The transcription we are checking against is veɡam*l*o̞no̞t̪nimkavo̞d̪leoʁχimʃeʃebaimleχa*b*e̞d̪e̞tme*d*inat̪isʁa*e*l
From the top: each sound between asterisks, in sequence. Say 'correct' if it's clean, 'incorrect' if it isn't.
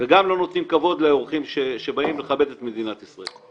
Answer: correct, correct, correct, correct

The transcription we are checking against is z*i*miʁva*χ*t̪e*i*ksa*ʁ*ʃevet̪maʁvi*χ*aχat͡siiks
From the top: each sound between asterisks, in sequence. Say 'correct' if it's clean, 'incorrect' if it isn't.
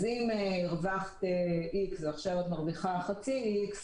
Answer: correct, correct, correct, incorrect: χ, correct

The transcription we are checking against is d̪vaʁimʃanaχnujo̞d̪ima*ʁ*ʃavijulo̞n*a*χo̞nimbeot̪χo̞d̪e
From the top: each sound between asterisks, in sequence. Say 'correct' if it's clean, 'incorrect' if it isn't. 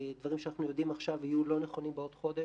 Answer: incorrect: χ, incorrect: e

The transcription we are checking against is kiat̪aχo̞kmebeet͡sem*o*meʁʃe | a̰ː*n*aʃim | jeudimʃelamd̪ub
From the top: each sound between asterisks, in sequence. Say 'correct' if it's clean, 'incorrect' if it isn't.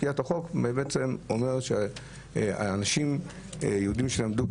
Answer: correct, correct

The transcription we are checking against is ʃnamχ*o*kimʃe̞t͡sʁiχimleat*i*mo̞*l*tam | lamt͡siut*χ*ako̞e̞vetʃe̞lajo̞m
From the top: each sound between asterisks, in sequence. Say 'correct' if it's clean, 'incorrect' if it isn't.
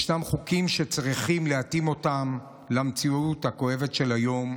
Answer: incorrect: u, correct, incorrect: none, incorrect: h

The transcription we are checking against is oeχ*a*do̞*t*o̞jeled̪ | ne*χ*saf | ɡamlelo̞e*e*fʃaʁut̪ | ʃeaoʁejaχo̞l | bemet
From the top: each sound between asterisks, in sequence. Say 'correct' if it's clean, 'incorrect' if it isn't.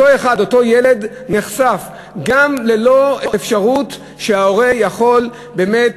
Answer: correct, correct, correct, correct

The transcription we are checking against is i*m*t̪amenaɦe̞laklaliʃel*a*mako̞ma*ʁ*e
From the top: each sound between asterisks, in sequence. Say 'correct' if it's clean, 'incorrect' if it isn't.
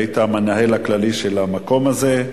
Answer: incorrect: none, correct, incorrect: z

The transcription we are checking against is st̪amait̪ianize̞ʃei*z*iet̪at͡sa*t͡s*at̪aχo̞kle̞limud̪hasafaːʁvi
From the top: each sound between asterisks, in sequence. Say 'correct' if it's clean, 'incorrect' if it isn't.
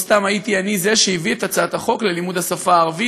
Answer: incorrect: v, incorrect: none

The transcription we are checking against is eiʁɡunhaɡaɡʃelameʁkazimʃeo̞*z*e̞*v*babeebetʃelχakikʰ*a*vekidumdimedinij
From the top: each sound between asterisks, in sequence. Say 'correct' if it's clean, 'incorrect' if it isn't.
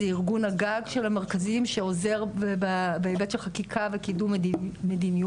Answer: correct, incorrect: ʁ, correct

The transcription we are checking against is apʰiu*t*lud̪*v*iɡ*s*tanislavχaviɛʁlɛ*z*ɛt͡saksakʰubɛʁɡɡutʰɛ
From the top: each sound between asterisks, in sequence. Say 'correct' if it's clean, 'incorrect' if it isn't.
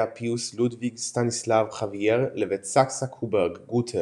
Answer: incorrect: s, correct, correct, incorrect: v

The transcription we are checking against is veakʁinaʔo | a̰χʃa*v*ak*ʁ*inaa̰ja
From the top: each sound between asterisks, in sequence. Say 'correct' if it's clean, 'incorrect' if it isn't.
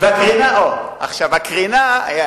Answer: correct, correct

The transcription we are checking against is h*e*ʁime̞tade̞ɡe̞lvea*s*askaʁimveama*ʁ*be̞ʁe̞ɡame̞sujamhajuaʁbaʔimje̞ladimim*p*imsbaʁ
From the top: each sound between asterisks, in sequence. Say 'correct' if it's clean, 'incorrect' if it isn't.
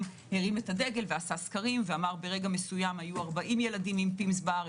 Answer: correct, correct, correct, correct

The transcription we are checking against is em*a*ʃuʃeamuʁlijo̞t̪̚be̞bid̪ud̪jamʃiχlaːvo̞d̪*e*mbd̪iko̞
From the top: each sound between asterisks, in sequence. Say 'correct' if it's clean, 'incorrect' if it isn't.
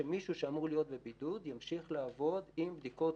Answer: incorrect: i, incorrect: i

